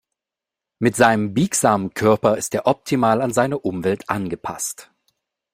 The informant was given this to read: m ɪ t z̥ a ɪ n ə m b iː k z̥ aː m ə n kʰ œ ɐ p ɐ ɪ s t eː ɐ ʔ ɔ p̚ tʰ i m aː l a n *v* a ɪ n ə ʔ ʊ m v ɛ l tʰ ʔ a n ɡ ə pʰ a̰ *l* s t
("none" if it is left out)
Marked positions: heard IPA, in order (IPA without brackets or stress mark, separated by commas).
z, none